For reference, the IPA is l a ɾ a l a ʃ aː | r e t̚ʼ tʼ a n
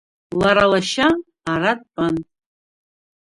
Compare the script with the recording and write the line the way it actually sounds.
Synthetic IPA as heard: l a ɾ a l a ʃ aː | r a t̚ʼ pʼ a n